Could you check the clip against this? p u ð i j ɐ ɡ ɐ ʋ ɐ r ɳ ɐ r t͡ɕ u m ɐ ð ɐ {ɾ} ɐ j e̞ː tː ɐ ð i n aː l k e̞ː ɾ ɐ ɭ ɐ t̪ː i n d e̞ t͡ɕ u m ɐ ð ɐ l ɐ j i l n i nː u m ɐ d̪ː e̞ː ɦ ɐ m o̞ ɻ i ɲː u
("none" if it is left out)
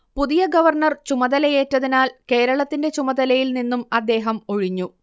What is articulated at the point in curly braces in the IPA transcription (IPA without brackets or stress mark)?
l